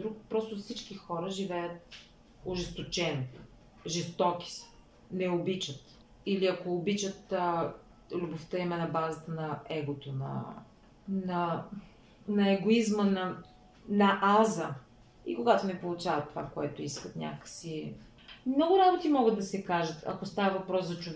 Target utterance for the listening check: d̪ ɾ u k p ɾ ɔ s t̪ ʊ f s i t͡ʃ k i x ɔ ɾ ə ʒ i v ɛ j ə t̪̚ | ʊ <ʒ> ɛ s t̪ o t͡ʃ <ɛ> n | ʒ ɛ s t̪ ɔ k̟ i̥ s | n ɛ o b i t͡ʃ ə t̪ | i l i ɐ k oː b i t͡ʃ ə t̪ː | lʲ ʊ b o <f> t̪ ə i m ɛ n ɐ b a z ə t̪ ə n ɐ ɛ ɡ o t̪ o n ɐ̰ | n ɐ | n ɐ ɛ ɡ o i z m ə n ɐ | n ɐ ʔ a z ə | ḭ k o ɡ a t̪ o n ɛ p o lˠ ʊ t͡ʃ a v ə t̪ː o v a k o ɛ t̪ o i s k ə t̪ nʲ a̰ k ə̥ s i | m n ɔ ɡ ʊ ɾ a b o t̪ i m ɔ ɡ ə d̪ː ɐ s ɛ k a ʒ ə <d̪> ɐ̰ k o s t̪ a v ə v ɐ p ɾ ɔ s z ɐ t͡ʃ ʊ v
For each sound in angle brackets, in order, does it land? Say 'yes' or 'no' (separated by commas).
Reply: yes, yes, yes, no